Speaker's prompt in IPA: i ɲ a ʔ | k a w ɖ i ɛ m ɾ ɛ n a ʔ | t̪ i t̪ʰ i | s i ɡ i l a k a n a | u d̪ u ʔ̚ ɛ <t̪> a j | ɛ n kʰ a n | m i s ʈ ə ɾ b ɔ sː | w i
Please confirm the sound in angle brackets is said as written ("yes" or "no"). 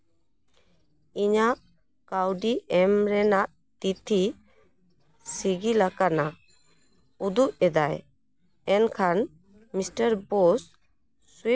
no